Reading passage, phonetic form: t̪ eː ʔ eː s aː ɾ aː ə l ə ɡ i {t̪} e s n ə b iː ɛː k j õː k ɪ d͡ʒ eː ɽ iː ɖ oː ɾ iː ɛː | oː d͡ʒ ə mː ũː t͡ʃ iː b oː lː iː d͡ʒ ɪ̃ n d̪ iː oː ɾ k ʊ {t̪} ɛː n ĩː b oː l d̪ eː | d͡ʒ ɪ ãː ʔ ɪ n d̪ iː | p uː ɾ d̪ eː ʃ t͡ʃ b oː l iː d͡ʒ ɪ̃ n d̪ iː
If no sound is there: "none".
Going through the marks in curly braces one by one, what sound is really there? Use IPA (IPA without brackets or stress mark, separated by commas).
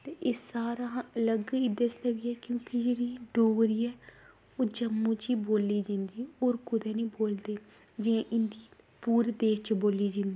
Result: d̪, d̪